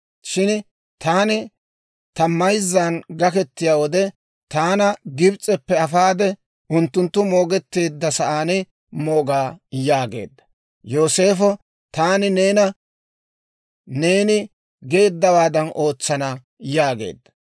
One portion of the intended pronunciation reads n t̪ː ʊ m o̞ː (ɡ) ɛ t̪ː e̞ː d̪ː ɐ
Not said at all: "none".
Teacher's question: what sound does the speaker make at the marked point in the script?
ɡ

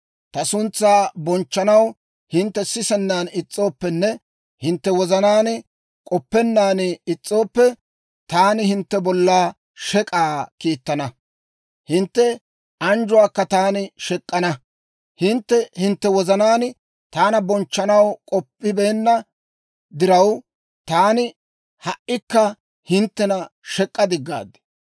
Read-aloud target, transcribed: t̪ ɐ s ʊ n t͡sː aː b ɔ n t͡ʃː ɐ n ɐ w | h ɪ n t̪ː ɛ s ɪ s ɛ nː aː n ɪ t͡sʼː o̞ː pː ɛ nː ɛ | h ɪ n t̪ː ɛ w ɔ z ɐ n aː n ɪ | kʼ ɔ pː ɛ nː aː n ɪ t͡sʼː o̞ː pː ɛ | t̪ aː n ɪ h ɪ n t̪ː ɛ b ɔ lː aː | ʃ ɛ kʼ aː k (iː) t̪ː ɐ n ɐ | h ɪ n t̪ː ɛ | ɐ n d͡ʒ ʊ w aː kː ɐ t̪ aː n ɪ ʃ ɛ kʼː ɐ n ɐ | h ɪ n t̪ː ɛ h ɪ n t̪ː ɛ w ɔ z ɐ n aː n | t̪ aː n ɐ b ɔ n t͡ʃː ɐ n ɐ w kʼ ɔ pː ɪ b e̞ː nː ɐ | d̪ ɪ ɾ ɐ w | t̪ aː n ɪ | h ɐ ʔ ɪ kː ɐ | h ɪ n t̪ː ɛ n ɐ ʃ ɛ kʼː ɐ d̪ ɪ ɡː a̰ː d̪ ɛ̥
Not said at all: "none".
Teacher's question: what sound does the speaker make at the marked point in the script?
iː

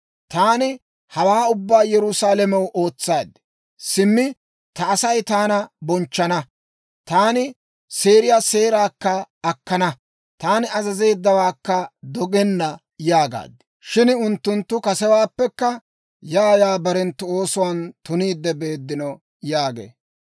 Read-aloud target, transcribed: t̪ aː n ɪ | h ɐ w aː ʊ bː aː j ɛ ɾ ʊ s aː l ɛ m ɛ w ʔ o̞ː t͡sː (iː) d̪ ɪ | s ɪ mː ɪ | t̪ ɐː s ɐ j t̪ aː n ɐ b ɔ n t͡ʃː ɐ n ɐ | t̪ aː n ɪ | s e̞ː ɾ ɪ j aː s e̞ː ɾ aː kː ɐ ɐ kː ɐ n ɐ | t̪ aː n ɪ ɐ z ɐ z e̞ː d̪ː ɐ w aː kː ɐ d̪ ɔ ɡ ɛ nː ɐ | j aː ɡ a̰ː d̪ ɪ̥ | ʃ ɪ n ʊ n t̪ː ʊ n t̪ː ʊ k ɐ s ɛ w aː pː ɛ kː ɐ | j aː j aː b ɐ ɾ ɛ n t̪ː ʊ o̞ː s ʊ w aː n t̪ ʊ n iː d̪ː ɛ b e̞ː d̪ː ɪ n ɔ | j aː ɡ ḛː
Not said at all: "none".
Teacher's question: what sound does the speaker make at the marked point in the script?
aː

